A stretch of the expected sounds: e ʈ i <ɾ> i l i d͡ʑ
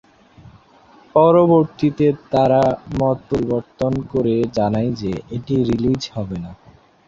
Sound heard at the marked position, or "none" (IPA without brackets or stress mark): ɾ